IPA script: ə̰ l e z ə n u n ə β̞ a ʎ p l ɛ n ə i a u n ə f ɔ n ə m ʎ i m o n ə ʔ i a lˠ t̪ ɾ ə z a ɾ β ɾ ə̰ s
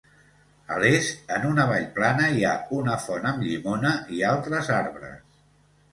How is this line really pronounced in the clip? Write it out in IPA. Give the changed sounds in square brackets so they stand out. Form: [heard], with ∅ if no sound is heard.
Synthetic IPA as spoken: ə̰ l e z ə n u n ə β̞ a ʎ p l [a] n ə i a u n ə f ɔ n ə m ʎ i m o n ə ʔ i a lˠ t̪ ɾ ə z a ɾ β ɾ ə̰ s